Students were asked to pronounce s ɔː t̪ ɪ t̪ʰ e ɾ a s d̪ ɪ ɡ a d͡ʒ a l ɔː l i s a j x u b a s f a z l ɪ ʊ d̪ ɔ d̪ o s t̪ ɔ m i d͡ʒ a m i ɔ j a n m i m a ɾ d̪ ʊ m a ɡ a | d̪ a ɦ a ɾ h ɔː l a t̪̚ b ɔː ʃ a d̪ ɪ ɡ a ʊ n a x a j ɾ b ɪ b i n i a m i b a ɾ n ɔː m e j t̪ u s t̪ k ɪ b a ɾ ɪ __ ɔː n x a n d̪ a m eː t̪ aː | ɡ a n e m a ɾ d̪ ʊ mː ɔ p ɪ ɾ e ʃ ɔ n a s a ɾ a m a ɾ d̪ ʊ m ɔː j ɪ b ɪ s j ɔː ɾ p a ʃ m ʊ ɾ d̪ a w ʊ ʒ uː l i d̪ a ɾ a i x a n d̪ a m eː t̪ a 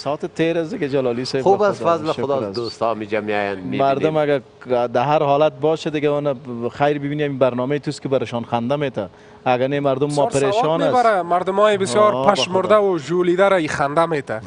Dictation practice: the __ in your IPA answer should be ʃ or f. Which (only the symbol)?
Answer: ʃ